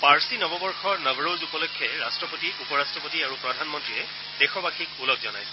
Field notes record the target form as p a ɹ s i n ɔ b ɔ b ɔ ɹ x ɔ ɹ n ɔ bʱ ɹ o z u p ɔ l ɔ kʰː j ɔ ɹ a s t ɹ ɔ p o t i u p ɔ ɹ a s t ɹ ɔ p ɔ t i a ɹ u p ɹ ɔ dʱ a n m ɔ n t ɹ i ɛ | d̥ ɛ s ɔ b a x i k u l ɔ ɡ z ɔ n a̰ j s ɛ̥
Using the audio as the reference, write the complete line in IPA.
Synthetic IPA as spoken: p a ɹ s i n ɔ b ɔ b ɔ ɹ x ɔ ɹ n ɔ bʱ ɹ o z u p ɔ l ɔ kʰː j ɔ ɹ a s t ɹ ɔ p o t i u p ɔ ɹ a s t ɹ ɔ p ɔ t i a ɹ u p ɹ ɔ dʱ a n m ɔ n t ɹ i ɛ | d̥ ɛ x ɔ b a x i k u l ɔ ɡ z ɔ n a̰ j s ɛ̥

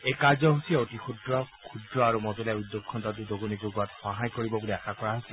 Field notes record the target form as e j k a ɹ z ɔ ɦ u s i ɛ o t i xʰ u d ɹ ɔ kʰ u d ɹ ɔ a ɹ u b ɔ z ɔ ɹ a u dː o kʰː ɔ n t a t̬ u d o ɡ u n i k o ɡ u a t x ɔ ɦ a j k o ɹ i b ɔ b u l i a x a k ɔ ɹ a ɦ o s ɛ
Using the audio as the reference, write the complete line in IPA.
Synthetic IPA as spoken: e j k a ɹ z ɔ ɦ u s i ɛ o t i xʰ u d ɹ ɔ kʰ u d ɹ ɔ a ɹ u m ɔ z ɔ l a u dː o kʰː ɔ n t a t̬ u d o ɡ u n i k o ɡ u a t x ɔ ɦ a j k o ɹ i b ɔ b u l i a x a k ɔ ɹ a ɦ o s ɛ

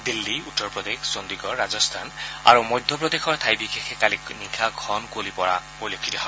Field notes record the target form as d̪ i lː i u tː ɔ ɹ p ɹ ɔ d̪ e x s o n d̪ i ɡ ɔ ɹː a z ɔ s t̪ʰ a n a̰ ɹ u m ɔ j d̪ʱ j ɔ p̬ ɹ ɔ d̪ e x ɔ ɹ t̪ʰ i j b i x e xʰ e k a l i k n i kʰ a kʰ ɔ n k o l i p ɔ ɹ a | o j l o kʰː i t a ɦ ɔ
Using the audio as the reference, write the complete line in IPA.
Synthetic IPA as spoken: d̪ i lː i u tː ɔ ɹ p ɹ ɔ d̪ e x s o n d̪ i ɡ ɔ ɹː a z ɔ s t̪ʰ a n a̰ ɹ u m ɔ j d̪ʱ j ɔ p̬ ɹ ɔ d̪ e x ɔ ɹ t̪ʰ a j b i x e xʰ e k a l i k n i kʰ a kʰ ɔ n k o l i p ɔ ɹ a | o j l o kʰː i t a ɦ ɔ

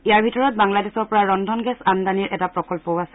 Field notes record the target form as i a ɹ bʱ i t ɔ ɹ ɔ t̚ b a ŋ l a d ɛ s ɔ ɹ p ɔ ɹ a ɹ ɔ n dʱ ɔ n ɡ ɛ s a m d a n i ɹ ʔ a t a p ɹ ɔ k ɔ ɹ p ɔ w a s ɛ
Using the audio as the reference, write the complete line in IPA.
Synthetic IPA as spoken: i a ɹ bʱ i t ɔ ɹ ɔ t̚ b a ŋ l a d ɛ s ɔ ɹ p ɔ ɹ a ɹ ɔ n dʱ ɔ n ɡ ɛ s a n d a n i ɹ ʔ ɛ t a p ɹ ɔ k ɔ l p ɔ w a s ɛ

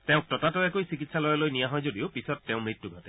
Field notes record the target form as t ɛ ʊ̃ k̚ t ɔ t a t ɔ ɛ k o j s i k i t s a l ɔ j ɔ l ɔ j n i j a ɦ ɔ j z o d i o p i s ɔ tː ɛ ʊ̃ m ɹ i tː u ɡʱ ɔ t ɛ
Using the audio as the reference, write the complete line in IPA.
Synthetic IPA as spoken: t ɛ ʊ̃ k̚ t ɔ t a t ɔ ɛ k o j s i k i t s a l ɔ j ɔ l o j n i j a ɦ ɔ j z o d i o p i s ɔ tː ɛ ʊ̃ m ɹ i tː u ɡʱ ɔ t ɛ

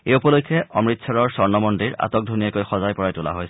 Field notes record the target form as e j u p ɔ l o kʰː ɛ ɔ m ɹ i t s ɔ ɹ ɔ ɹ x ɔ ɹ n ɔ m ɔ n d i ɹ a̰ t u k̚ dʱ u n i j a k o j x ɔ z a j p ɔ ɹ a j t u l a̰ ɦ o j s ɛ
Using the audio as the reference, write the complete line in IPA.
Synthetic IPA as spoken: e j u p ɔ l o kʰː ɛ ɔ m ɹ i t s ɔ ɹ ɔ ɹ s ɔ ɹ n ɔ m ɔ n d i ɹ a̰ t ɔ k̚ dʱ u n i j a k o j x ɔ z a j p ɔ ɹ a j t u l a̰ ɦ o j s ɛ

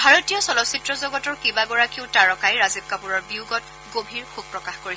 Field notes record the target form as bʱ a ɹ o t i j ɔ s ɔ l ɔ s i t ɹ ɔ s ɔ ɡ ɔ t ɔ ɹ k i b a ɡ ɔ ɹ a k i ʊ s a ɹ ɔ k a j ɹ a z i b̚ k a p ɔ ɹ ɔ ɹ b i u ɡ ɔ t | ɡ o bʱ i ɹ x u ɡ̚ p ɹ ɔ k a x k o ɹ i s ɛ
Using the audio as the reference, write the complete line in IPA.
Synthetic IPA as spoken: bʱ a ɹ o t i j ɔ s ɔ l ɔ s i t ɹ ɔ z ɔ ɡ ɔ t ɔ ɹ k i b a ɡ ɔ ɹ a k i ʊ t a ɹ ɔ k a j ɹ a z i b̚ k a p u ɹ ɔ ɹ b i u ɡ ɔ t | ɡ o bʱ i ɹ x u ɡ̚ p ɹ ɔ k a x k o ɹ i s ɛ

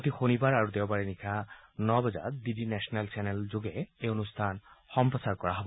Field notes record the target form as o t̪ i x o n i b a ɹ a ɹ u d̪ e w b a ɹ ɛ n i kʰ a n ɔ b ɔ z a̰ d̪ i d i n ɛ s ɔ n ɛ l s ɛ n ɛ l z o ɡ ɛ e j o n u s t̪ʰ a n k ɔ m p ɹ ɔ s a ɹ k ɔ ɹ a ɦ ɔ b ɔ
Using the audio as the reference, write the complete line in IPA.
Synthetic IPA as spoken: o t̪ i x o n i b a ɹ a ɹ u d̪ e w b a ɹ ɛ n i kʰ a n ɔ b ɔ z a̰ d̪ i d i n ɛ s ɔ n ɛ l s ɛ n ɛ l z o ɡ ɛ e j o n u s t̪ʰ a n x ɔ m p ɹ ɔ s a ɹ k ɔ ɹ a ɦ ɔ b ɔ

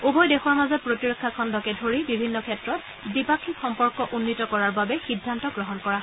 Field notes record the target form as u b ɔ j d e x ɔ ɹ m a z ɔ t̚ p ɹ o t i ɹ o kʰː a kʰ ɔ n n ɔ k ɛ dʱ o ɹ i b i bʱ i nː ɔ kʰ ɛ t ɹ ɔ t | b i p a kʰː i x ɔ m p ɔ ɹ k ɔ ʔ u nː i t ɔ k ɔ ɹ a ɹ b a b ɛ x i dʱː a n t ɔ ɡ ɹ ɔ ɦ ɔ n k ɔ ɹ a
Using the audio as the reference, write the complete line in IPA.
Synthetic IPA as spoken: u b ɔ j d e x ɔ ɹ m a z ɔ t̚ p ɹ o t i ɹ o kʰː a kʰ ɔ n d ɔ k ɛ dʱ o ɹ i b i bʱ i nː ɔ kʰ ɛ t ɹ ɔ t | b i p a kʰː i x ɔ m p ɔ ɹ k ɔ ʔ u nː i t ɔ k ɔ ɹ a ɹ b a b ɛ x i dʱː a n t ɔ ɡ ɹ ɔ ɦ ɔ n k ɔ ɹ a

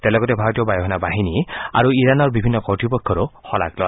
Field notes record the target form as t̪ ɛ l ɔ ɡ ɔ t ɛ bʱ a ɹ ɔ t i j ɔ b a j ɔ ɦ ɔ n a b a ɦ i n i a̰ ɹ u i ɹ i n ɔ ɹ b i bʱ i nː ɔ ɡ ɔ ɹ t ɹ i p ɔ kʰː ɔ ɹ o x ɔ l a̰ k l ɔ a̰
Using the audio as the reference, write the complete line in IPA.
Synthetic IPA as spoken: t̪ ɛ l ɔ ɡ ɔ t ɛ bʱ a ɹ ɔ t i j ɔ b a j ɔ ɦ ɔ n a b a ɦ i n i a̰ ɹ u i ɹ a n ɔ ɹ b i bʱ i nː ɔ k ɔ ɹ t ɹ i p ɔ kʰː ɔ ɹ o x ɔ l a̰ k l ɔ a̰

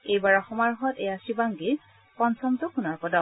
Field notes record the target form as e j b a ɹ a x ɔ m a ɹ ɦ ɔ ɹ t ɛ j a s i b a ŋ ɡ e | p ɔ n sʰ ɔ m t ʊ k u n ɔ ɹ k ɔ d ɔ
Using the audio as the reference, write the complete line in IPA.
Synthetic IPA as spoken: e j b a ɹ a x ɔ m a ɹ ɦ ɔ t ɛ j a s i b a ŋ ɡ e | p ɔ n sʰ ɔ m t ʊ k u n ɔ ɹ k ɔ d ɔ

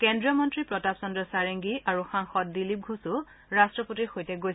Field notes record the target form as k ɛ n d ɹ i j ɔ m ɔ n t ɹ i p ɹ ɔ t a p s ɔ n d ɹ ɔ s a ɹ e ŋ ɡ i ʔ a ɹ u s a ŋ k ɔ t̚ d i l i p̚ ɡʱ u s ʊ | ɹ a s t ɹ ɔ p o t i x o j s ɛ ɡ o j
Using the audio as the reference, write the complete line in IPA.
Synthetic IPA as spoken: k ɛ n d ɹ i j ɔ m ɔ n t ɹ i p ɹ ɔ t a p s ɔ n d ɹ ɔ s a ɹ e ŋ ɡ i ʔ a ɹ u x a ŋ x ɔ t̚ d i l i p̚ ɡʱ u s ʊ | ɹ a s t ɹ ɔ p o t i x o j t ɛ ɡ o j

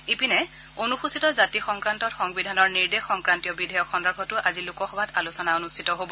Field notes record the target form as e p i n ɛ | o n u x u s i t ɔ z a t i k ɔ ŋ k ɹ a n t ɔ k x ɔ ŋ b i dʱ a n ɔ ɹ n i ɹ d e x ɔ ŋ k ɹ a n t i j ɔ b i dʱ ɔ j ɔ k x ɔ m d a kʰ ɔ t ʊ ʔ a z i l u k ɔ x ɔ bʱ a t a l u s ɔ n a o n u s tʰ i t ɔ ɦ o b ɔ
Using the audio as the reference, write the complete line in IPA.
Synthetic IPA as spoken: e p i n ɛ | o n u x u s i t ɔ z a t i x ɔ ŋ k ɹ a n t ɔ t x ɔ ŋ b i dʱ a n ɔ ɹ n i ɹ d e x ɔ ŋ k ɹ a n t i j ɔ b i dʱ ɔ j ɔ k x ɔ n d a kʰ ɔ t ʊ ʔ a z i l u k ɔ x ɔ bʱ a t a l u s ɔ n a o n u s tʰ i t ɔ ɦ o b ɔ

